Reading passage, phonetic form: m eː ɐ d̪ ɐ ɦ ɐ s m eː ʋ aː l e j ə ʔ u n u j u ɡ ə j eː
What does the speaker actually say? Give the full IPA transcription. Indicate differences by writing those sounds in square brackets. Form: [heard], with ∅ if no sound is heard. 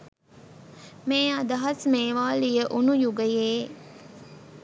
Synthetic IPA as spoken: m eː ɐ d̪ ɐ ɦ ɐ s m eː ʋ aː l [i] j ə ʔ u n u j u ɡ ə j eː